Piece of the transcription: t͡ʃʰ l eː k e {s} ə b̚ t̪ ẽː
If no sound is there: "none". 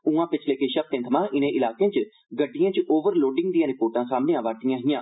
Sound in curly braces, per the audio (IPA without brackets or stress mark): ʃ